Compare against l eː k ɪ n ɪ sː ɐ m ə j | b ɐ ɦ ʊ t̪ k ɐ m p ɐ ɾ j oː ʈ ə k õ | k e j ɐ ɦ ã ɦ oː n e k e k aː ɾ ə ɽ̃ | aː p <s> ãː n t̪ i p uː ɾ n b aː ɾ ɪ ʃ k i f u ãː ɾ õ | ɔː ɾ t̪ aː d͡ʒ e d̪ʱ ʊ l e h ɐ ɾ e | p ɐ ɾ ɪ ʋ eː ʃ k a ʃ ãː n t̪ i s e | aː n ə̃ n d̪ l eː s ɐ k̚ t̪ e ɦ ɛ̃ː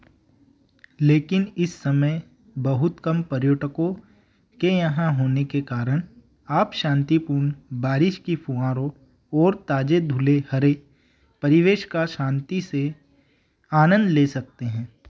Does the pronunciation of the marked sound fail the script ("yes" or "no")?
yes